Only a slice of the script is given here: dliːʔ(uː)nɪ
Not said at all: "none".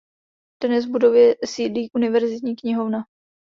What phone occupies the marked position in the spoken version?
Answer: u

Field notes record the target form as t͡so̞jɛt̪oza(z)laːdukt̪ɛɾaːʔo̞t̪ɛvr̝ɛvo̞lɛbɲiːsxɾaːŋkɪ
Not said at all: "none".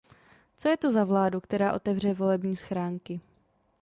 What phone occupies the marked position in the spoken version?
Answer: v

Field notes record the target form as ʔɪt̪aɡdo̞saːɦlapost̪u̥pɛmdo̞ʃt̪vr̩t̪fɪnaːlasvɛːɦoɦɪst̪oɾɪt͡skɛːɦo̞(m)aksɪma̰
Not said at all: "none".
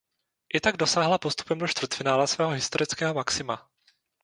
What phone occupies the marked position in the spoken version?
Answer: m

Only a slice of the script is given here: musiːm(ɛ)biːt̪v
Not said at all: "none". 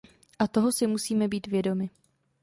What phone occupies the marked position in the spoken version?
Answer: ɛ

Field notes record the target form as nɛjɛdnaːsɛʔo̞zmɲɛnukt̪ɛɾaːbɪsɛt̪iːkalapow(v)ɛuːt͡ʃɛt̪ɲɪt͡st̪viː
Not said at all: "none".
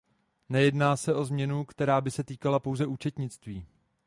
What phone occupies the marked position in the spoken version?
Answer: z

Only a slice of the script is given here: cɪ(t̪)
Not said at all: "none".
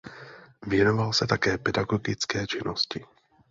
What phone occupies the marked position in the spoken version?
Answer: none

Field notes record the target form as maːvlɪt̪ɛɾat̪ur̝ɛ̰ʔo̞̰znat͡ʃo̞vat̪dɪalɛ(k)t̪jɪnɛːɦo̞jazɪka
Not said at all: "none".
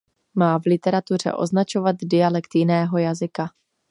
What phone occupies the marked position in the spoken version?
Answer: k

